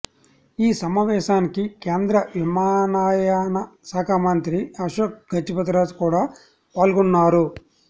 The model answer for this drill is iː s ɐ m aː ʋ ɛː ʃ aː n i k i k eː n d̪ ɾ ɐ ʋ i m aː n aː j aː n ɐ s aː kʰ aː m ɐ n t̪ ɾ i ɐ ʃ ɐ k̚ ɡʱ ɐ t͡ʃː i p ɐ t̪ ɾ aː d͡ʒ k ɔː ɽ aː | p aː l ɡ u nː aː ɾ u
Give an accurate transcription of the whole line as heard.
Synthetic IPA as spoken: iː s ɐ m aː ʋ ɛː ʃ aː n i k i k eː n d̪ ɾ ɐ ʋ i m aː n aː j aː n ɐ s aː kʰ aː m ɐ n t̪ ɾ i ɐ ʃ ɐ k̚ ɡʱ ɐ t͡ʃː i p ɐ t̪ ɾ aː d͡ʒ k uː ɽ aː | p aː l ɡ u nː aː ɾ u